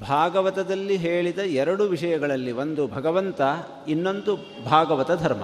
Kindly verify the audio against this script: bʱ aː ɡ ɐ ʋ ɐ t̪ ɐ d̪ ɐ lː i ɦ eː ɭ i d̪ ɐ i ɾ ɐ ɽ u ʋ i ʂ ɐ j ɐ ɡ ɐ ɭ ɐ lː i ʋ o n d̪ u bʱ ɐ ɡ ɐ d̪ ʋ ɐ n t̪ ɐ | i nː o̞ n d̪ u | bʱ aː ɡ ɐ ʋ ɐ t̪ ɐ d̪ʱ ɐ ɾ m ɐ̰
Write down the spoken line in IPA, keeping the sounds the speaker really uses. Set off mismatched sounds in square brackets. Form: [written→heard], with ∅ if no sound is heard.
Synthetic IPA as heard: bʱ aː ɡ ɐ ʋ ɐ t̪ ɐ d̪ ɐ lː i ɦ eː ɭ i d̪ ɐ [i→ɛ] ɾ ɐ ɽ u ʋ i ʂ ɐ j ɐ ɡ ɐ ɭ ɐ lː i ʋ o n d̪ u bʱ ɐ ɡ ɐ [d̪→∅] ʋ ɐ n t̪ ɐ | i nː o̞ n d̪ u | bʱ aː ɡ ɐ ʋ ɐ t̪ ɐ d̪ʱ ɐ ɾ m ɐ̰